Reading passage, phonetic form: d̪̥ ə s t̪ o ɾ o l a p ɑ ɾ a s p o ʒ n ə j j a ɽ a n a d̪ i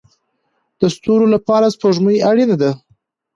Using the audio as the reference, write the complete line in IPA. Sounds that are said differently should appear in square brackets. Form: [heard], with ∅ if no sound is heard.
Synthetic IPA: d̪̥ ə s t̪ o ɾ o l a p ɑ ɾ a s p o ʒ [m] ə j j a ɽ [i] n a d̪ [a]